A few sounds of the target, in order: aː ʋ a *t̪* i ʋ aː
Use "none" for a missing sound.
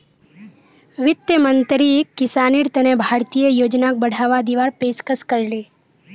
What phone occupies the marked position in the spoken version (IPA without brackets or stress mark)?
d̪